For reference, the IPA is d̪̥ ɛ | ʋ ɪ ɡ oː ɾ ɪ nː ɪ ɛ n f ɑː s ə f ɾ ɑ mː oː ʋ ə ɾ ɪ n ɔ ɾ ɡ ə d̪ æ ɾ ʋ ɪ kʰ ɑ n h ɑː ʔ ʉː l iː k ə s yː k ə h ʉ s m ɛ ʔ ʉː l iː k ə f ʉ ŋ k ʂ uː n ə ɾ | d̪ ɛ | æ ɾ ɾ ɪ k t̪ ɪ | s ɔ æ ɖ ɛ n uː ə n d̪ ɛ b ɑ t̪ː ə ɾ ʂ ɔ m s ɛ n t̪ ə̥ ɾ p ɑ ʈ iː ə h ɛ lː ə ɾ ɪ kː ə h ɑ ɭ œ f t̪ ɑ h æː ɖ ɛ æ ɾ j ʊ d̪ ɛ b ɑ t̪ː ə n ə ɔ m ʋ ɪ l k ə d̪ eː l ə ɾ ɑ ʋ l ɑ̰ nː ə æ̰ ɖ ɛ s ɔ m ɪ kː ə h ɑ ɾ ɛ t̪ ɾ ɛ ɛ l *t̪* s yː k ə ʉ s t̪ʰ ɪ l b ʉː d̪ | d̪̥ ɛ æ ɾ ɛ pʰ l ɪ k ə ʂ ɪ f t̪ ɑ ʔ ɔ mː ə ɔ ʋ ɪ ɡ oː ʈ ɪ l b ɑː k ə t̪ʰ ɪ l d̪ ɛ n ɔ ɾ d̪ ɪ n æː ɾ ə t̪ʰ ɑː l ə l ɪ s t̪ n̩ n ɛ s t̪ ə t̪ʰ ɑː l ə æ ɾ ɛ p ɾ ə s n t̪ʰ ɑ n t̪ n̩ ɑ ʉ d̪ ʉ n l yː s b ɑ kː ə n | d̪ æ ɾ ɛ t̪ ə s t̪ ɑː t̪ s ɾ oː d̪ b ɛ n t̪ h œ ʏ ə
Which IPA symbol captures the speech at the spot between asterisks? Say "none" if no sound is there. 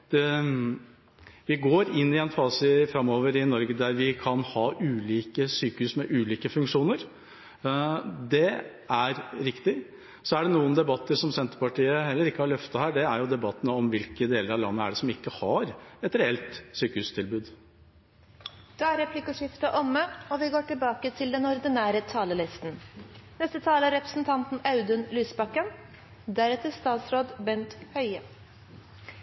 t̪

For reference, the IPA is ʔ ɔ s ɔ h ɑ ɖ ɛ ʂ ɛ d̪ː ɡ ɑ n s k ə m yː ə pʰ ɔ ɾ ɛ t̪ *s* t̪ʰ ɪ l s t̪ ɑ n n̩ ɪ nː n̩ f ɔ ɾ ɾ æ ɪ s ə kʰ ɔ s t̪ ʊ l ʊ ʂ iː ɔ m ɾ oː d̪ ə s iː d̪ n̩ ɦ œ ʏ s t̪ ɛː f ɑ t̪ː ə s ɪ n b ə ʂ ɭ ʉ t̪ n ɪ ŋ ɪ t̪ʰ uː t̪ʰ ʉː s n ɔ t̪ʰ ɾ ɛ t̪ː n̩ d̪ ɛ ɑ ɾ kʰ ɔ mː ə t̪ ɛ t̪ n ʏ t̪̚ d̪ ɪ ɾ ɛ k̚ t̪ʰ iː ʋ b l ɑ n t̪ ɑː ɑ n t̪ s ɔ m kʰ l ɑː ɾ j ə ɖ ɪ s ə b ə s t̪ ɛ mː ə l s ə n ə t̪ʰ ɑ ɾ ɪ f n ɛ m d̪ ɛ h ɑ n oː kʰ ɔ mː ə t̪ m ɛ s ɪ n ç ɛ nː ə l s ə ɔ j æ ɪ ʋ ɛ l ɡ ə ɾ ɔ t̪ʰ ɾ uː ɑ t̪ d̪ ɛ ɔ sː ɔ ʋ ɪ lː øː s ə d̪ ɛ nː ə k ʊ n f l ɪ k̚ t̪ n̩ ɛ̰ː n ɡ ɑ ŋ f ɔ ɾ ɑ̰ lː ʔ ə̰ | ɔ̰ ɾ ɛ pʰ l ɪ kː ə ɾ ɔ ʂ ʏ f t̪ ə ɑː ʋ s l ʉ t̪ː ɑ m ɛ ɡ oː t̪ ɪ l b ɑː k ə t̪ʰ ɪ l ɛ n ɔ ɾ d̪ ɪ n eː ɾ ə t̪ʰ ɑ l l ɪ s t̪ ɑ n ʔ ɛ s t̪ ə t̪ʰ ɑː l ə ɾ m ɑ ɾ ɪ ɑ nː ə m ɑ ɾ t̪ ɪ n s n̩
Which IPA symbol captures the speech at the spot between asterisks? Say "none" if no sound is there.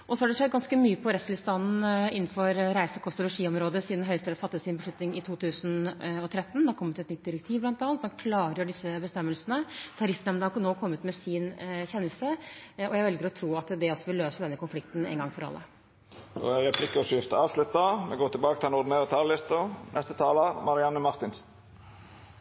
s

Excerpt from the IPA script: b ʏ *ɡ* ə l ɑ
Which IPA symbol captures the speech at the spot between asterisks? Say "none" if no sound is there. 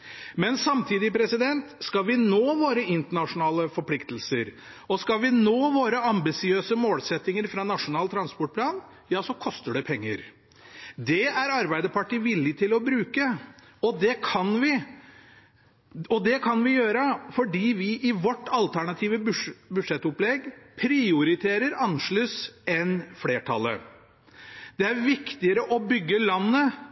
ɡː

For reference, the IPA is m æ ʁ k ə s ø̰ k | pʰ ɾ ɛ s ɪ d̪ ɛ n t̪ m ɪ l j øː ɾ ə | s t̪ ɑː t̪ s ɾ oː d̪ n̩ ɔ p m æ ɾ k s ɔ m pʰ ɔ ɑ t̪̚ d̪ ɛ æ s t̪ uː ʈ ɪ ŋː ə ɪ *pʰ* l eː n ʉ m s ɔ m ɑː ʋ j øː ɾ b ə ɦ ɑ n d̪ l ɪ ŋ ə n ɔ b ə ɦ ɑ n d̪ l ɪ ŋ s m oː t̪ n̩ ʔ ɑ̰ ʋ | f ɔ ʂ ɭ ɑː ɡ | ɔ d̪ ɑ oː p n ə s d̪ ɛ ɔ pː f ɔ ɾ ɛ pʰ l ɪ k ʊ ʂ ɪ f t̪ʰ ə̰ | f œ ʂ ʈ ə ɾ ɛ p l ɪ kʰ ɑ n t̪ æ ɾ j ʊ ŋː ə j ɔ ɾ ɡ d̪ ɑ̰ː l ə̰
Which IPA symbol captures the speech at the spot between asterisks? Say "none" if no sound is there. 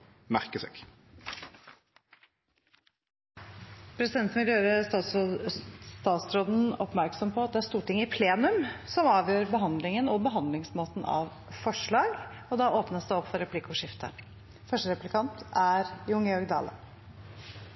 pʰ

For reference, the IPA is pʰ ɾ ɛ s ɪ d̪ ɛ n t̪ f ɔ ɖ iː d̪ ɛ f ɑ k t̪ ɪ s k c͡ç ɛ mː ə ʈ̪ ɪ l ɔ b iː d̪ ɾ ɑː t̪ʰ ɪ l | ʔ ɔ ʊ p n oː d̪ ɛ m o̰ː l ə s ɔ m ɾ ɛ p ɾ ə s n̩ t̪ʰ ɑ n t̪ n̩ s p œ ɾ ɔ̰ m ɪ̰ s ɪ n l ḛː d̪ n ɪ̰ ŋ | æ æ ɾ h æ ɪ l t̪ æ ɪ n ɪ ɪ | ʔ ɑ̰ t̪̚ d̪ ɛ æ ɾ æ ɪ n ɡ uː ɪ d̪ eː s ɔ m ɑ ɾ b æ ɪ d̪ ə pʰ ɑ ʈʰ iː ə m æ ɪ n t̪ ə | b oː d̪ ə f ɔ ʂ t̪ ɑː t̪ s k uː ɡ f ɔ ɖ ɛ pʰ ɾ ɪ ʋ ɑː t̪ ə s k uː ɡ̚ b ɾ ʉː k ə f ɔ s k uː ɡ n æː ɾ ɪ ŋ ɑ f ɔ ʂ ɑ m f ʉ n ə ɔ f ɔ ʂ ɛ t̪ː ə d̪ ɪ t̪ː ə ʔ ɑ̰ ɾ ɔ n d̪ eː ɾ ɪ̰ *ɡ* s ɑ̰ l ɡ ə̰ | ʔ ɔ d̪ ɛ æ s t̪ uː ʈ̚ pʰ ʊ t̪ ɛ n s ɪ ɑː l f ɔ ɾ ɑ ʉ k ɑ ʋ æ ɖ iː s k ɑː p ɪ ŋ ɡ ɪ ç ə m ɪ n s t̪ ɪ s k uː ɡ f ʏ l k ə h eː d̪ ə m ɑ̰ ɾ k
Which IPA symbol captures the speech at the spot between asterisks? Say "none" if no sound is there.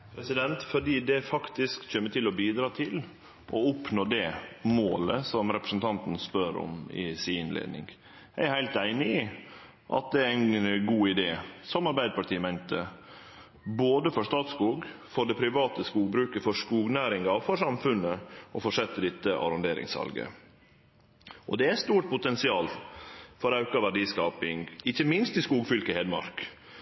ŋ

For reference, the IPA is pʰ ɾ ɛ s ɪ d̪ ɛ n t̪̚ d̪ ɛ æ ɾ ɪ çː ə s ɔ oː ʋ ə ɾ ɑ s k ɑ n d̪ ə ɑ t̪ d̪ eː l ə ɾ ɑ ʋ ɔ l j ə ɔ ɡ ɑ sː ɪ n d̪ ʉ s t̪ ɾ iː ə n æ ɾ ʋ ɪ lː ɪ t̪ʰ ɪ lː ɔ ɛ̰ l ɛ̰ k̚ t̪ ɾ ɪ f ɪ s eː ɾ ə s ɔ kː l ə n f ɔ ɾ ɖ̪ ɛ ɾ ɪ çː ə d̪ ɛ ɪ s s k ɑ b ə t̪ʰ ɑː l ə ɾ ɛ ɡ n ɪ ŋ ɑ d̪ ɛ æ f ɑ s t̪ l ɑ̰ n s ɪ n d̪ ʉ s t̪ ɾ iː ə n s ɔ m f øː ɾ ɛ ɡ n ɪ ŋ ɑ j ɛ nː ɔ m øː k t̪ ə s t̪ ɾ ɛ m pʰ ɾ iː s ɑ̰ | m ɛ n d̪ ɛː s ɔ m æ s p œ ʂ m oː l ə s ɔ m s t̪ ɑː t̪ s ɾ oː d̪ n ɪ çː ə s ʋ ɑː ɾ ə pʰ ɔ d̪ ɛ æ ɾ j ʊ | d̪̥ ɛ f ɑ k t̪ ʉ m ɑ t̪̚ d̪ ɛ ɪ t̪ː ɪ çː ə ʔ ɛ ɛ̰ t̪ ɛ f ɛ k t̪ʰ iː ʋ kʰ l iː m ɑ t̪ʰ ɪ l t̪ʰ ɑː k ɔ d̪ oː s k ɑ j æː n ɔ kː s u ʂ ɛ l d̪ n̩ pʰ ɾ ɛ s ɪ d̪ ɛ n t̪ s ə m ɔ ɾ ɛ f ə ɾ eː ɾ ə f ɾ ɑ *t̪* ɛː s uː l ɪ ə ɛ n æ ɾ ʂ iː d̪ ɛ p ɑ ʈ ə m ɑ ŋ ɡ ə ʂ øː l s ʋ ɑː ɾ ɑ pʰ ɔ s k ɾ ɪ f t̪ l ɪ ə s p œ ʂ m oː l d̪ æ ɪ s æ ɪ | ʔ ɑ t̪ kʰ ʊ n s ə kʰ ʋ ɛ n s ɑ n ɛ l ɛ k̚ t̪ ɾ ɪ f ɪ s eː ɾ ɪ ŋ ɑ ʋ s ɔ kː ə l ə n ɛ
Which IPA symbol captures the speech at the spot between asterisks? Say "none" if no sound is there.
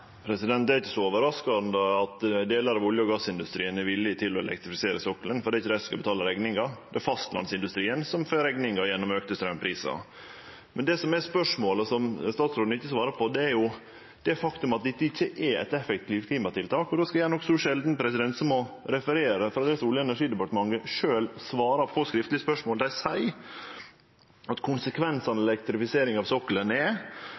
d̪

